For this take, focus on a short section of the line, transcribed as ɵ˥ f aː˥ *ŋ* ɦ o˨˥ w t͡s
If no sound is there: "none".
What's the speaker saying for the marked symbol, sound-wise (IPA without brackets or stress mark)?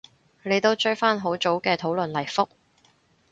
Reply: n